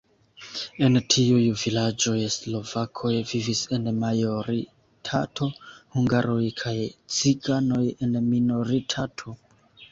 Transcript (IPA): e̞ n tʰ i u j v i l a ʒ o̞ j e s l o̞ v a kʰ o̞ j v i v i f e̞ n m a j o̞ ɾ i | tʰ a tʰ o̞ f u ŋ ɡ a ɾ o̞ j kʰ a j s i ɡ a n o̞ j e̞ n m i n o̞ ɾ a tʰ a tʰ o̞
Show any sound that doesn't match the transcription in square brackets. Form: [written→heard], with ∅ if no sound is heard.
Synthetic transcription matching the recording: e̞ n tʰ i u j v i l a [ʒ→d͡ʒ] o̞ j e s l o̞ v a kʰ o̞ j v i v i [f→s] e̞ n m a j o̞ ɾ i | tʰ a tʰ o̞ [f→h] u ŋ ɡ a ɾ o̞ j kʰ a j [s→t͡s] i ɡ a n o̞ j e̞ n m i n o̞ ɾ [a→i] tʰ a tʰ o̞